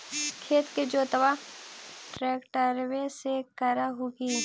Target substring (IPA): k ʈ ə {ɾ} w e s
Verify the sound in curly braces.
correct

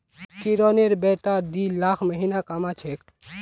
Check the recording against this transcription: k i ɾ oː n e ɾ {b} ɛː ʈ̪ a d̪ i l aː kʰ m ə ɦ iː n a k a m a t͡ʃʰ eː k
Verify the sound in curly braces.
correct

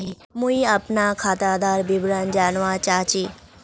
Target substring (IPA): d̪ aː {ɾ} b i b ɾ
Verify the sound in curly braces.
correct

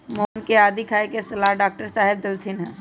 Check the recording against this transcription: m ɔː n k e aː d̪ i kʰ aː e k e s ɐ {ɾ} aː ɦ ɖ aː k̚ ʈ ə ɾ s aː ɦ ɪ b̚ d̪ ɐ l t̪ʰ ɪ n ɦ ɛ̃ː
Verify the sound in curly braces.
incorrect: l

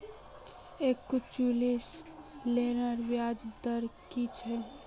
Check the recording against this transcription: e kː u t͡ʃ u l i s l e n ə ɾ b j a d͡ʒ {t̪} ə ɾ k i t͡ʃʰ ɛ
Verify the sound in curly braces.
incorrect: d̪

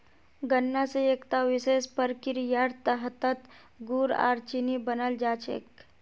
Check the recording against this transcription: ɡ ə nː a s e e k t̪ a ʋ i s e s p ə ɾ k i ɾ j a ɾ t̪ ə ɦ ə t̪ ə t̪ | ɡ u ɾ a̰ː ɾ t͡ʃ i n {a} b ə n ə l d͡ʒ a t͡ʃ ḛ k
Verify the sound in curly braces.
incorrect: i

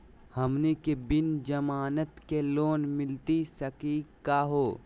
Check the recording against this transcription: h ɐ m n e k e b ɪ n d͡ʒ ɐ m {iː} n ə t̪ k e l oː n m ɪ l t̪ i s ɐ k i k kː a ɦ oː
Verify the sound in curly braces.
incorrect: aː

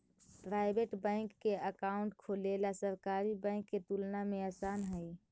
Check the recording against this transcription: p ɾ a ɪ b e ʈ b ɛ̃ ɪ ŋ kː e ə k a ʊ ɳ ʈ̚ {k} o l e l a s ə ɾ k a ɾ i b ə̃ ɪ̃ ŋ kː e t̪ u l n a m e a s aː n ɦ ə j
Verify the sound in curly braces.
incorrect: kʰ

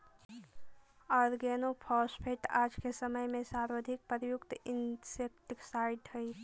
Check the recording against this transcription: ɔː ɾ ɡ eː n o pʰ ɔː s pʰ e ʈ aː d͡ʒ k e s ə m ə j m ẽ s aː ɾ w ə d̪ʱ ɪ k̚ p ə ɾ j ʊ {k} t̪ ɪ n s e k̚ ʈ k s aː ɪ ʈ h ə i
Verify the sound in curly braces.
correct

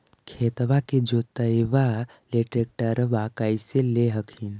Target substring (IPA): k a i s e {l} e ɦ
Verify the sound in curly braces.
correct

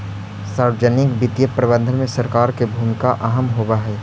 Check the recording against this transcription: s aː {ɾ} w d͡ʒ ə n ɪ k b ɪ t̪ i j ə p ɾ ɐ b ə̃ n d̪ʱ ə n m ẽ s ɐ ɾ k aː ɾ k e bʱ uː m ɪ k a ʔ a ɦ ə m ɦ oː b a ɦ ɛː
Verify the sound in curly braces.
correct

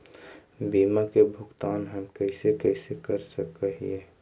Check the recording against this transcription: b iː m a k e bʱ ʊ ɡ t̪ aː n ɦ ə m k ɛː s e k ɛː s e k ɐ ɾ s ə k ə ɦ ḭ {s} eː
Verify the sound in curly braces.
incorrect: none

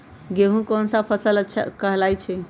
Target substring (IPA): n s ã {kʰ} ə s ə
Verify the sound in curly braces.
incorrect: pʰ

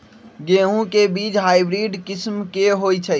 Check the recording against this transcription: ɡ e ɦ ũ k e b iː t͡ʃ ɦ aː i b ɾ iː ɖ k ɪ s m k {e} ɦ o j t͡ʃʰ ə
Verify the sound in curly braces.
correct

